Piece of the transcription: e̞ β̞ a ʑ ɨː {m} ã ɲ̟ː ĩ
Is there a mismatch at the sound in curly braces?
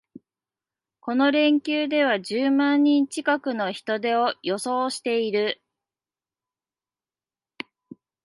no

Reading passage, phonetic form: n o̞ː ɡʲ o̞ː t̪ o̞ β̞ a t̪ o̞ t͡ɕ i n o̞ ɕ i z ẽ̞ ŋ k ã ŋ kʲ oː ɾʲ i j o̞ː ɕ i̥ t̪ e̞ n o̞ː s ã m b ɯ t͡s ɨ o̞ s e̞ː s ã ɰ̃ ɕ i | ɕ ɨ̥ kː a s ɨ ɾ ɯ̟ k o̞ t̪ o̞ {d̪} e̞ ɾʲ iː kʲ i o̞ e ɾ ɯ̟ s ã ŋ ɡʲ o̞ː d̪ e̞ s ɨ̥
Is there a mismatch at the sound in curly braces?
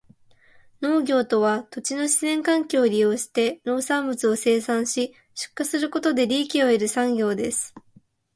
no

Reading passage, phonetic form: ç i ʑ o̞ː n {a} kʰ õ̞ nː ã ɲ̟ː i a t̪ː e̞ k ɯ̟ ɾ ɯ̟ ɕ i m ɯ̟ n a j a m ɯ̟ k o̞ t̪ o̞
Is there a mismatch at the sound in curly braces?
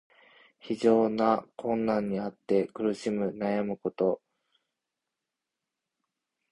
no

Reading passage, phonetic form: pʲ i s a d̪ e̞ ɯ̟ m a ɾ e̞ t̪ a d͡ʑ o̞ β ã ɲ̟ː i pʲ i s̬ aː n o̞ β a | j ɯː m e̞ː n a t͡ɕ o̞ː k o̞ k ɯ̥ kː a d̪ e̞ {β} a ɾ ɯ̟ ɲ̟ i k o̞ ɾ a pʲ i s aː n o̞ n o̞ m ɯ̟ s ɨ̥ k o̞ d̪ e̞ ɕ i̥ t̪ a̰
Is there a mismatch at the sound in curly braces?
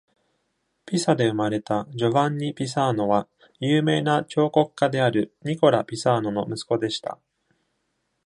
yes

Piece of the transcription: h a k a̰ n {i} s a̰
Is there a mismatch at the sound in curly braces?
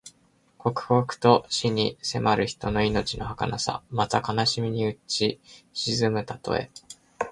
yes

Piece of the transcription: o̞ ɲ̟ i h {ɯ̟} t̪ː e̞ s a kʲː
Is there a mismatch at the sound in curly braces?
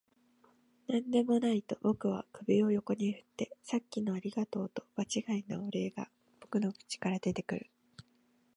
no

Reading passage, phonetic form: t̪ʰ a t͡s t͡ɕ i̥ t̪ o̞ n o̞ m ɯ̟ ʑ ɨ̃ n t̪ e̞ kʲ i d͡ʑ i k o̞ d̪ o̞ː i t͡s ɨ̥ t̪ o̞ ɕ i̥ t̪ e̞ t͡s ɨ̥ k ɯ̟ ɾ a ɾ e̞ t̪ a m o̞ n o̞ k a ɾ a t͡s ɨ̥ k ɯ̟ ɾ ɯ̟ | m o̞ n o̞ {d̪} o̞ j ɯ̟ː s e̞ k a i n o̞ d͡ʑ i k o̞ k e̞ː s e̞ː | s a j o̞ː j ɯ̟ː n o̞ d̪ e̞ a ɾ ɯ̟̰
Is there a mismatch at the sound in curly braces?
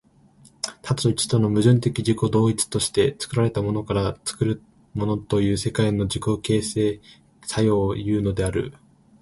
yes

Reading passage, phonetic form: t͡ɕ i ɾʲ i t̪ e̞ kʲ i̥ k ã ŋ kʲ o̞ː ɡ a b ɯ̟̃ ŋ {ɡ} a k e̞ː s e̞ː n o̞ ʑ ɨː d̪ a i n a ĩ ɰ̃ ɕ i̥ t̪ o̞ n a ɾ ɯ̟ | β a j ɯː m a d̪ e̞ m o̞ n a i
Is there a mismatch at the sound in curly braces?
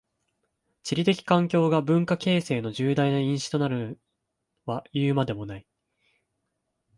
yes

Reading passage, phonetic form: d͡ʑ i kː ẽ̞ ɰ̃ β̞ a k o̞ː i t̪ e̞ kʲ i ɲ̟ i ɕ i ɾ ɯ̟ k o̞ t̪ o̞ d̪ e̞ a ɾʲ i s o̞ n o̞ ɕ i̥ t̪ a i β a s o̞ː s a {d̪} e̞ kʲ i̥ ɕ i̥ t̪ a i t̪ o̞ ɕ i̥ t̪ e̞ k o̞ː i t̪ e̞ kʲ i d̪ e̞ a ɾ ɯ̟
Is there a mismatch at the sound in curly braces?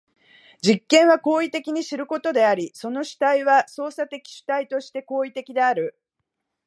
yes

